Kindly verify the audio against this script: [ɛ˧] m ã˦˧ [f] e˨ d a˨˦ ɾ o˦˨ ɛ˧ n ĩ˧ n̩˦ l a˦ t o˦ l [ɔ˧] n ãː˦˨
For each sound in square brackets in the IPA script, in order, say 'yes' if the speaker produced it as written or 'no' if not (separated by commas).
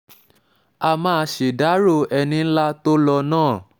no, no, yes